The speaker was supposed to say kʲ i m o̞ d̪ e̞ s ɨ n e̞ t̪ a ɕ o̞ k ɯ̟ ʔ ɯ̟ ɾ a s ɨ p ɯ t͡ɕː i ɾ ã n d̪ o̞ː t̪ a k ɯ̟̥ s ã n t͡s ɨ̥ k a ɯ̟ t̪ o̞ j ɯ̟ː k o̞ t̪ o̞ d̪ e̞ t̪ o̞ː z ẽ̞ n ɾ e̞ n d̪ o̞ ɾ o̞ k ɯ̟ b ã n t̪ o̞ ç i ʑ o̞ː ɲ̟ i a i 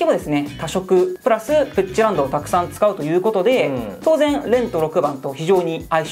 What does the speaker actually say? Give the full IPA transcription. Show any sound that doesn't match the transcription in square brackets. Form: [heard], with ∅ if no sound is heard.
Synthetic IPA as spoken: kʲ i m o̞ d̪ e̞ s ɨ n e̞ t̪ a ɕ o̞ k ɯ̟ [p] ɯ̟ ɾ a s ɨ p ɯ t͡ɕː i ɾ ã n d̪ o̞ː t̪ a k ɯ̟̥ s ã n t͡s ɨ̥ k a ɯ̟ t̪ o̞ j ɯ̟ː k o̞ t̪ o̞ d̪ e̞ t̪ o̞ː z ẽ̞ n ɾ [ẽ̞] n [t̪] o̞ ɾ o̞ k ɯ̟ b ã n t̪ o̞ ç i ʑ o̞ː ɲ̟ i a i